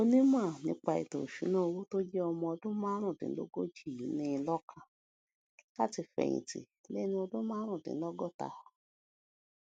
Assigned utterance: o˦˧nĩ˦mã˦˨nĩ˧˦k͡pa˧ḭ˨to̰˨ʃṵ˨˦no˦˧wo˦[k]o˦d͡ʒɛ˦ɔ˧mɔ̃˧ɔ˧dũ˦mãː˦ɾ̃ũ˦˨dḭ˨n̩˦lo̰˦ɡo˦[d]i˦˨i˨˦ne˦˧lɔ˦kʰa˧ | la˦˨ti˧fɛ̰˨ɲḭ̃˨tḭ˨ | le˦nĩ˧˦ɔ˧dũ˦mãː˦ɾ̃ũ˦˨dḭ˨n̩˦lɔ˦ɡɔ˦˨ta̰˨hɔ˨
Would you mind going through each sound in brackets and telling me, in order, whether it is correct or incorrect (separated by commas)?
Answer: incorrect, incorrect